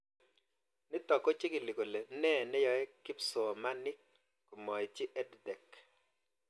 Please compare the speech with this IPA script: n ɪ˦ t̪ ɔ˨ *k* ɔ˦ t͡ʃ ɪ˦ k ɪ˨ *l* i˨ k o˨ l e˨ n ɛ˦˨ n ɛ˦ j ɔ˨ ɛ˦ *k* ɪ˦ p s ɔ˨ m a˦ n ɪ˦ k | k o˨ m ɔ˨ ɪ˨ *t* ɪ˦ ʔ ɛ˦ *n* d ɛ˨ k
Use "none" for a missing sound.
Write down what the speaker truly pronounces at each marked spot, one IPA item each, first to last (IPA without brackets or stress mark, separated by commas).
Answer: k, l, k, t͡ʃ, d